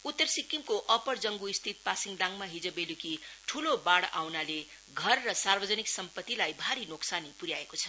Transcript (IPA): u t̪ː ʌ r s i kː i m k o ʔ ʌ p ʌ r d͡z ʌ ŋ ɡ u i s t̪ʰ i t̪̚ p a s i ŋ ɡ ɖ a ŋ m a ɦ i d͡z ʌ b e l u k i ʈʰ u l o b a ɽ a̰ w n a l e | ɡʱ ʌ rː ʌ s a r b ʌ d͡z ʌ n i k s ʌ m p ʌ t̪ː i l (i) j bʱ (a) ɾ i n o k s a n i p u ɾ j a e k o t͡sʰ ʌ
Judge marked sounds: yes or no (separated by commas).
no, yes